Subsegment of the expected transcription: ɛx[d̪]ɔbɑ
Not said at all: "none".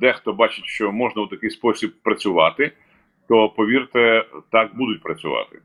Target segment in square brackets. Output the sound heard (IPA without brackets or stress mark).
t̪